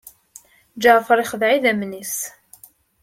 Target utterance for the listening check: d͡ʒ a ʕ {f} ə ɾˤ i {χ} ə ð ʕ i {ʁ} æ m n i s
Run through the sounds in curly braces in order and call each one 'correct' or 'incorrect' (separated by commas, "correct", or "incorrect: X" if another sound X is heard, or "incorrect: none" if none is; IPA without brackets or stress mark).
correct, correct, incorrect: ð